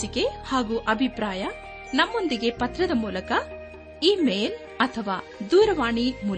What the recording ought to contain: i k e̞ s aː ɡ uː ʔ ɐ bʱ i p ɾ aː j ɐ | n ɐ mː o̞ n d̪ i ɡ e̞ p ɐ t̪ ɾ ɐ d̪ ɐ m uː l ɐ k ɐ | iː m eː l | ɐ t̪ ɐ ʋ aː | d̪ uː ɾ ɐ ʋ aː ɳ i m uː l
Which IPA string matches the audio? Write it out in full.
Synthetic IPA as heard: i k e̞ h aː ɡ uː ʔ ɐ bʱ i p ɾ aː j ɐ | n ɐ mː o̞ n d̪ i ɡ e̞ p ɐ t̪ ɾ ɐ d̪ ɐ m uː l ɐ k ɐ | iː m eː l | ɐ t̪ʰ ɐ ʋ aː | d̪ uː ɾ ɐ ʋ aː ɳ i m uː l